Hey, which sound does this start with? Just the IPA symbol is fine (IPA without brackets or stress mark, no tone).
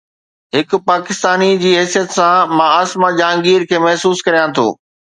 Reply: ɦ